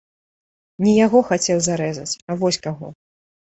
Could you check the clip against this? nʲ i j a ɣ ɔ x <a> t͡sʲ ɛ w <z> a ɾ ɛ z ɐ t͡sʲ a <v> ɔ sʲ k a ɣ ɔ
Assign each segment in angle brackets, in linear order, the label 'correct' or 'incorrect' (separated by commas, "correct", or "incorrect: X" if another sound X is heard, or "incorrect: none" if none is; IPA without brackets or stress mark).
correct, correct, correct